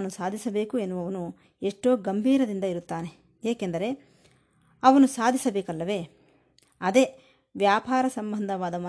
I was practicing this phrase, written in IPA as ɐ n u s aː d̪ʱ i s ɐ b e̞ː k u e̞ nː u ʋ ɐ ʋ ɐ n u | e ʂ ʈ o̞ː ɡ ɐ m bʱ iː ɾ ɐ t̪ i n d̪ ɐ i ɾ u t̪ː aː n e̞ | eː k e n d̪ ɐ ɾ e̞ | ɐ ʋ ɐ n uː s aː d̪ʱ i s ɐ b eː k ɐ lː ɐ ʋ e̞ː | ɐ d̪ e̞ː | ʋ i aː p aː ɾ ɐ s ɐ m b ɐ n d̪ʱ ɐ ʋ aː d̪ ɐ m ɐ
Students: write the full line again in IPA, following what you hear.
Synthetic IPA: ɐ n u s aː d̪ʱ i s ɐ b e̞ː k u e̞ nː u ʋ ɐ ʋ ɐ n u | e ʂ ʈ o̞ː ɡ ɐ m bʱ iː ɾ ɐ d̪ i n d̪ ɐ i ɾ u t̪ː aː n e̞ | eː k e n d̪ ɐ ɾ e̞ | ɐ ʋ ɐ n u s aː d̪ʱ i s ɐ b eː k ɐ lː ɐ ʋ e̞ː | ɐ d̪ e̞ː | ʋ j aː p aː ɾ ɐ s ɐ m b ɐ n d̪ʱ ɐ ʋ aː d̪ ɐ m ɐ